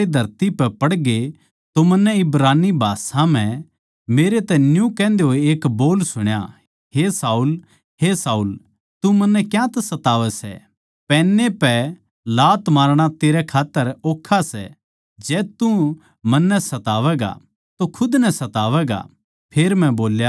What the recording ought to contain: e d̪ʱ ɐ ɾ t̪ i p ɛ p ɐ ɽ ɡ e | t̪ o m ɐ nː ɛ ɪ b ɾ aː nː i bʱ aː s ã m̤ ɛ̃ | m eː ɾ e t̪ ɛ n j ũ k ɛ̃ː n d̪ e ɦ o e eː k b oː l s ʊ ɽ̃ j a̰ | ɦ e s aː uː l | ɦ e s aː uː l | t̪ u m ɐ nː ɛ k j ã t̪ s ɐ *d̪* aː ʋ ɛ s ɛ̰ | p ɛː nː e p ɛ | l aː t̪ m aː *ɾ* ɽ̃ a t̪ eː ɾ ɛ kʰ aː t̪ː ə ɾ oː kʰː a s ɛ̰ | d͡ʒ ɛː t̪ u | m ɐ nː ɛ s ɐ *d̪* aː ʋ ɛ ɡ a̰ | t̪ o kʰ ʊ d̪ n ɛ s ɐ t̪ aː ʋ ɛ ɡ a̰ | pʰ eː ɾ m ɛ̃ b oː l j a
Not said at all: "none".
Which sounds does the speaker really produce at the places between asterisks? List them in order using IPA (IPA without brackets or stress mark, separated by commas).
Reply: t̪, ɾ, t̪